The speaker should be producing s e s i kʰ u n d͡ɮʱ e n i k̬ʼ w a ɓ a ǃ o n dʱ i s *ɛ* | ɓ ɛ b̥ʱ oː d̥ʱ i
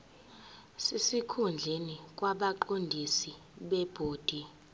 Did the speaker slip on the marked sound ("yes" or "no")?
yes